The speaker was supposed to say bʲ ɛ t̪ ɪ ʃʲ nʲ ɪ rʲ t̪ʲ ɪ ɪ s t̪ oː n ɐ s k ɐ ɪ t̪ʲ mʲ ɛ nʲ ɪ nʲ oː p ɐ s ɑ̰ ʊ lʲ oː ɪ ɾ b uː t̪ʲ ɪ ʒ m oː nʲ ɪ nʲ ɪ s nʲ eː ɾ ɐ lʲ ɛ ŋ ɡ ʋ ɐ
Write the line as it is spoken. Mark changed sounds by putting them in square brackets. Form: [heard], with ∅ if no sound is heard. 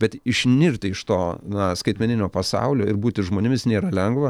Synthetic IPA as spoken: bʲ ɛ t̪ ɪ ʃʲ nʲ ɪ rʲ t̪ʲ ɪ ɪ [ʃ] t̪ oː n ɐ s k ɐ ɪ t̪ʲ mʲ ɛ nʲ ɪ nʲ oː p ɐ s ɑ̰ ʊ lʲ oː ɪ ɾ b uː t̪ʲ ɪ ʒ m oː nʲ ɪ [mʲ] ɪ s nʲ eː ɾ ɐ lʲ ɛ ŋ ɡ ʋ ɐ